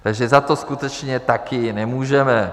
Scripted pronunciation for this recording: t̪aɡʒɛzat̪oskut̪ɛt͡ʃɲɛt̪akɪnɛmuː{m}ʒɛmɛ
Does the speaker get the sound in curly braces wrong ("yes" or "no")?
yes